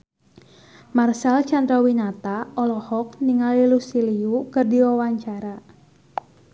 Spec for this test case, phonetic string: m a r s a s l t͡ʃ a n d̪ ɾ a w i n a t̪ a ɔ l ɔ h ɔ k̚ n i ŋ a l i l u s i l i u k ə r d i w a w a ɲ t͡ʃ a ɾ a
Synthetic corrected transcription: m a r s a l t͡ʃ a n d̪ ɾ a w i n a t̪ a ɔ l ɔ h ɔ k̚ n i ŋ a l i l u s i l i u k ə r d i w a w a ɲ t͡ʃ a ɾ a